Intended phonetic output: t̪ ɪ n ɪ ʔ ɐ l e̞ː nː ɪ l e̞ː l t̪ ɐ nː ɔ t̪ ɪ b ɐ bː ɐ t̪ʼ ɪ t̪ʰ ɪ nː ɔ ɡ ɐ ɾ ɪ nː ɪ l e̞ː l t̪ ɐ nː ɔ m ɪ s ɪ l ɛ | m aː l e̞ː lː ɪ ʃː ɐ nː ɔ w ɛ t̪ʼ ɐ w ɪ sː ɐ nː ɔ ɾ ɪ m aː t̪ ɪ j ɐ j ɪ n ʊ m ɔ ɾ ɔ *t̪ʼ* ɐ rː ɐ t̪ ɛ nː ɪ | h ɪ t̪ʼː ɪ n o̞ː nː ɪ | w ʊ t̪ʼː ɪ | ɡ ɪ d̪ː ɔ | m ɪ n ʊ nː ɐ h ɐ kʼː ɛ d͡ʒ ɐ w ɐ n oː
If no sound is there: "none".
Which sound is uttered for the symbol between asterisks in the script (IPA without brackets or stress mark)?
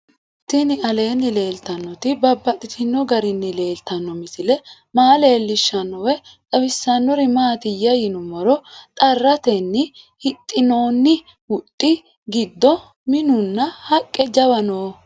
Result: t̪ʼ